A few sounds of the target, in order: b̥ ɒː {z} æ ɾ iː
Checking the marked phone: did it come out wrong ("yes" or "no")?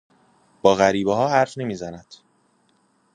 yes